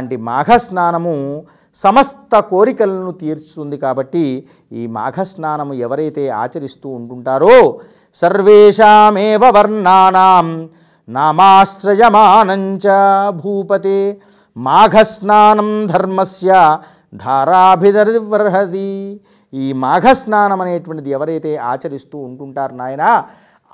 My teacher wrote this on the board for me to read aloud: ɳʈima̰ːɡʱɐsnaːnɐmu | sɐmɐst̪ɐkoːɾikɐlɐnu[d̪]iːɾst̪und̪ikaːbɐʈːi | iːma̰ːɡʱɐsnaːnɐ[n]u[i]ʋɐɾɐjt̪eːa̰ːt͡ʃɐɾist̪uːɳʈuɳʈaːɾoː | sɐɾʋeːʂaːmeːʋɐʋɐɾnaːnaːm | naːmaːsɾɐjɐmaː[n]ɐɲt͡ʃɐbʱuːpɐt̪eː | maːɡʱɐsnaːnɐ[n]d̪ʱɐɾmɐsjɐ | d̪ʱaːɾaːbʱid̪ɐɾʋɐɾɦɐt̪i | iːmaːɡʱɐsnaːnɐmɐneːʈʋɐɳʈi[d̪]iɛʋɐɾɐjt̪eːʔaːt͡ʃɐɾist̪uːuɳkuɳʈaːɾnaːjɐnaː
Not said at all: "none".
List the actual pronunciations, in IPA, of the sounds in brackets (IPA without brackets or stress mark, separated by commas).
t̪, m, ɛ, n, m, d̪